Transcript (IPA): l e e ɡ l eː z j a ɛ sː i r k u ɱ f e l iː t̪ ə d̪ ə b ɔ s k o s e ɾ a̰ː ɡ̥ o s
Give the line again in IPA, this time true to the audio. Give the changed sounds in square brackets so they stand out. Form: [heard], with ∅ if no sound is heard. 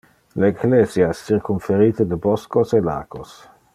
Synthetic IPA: l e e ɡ l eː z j a ɛ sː i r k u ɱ f e [ɾ] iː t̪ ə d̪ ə b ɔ s k o s e [l] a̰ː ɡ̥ o s